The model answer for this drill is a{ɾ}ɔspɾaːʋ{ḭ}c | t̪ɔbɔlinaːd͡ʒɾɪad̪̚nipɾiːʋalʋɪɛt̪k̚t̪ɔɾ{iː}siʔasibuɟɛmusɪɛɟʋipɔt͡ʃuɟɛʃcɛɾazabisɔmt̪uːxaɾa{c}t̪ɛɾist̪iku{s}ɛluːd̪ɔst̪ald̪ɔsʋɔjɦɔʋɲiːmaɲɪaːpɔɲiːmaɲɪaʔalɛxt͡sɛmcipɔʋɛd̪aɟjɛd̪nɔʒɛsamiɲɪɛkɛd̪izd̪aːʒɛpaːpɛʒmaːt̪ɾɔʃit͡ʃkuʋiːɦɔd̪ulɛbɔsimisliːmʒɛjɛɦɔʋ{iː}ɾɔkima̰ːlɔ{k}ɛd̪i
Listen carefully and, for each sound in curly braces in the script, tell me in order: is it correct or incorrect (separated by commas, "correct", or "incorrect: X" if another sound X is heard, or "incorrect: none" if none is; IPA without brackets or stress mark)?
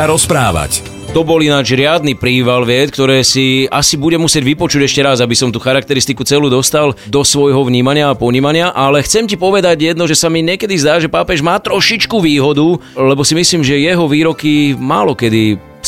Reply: correct, incorrect: a̰, incorrect: ɛː, incorrect: k, incorrect: t͡s, correct, correct